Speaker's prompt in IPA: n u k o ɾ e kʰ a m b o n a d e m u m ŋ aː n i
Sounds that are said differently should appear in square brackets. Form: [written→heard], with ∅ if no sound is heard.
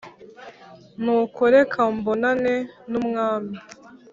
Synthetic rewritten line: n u k o ɾ e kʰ a m b o n a [d→n] e [m→n] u m ŋ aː [n→m] i